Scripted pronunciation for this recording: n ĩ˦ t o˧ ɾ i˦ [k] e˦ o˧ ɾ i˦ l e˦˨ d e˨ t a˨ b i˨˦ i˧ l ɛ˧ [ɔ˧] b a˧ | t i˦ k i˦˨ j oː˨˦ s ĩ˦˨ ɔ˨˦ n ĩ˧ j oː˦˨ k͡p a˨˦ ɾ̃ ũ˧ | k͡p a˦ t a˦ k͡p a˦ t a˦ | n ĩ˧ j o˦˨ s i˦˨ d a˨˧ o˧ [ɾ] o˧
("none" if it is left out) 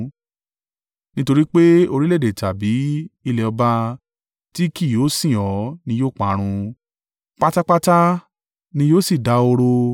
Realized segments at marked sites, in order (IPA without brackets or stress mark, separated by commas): k͡p, ɔ˧, ɾ